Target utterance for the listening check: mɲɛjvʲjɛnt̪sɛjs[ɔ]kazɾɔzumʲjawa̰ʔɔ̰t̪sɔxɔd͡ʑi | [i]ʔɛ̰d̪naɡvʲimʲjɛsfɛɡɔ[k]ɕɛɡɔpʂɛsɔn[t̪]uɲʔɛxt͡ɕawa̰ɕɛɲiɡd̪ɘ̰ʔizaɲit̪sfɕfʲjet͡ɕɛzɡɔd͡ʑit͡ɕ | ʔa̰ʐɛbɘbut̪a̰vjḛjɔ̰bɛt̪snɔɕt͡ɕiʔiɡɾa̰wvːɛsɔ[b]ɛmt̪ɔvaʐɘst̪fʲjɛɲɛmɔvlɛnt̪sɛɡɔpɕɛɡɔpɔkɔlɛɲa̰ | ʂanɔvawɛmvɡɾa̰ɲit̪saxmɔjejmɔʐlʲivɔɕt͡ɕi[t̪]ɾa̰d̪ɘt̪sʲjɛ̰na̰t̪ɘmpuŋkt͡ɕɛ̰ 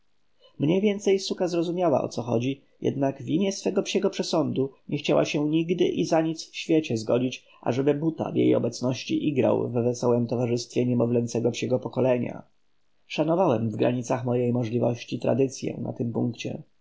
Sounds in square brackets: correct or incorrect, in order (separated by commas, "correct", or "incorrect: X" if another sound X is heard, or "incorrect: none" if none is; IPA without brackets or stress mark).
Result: incorrect: u, incorrect: j, incorrect: p, incorrect: d̪, incorrect: w, correct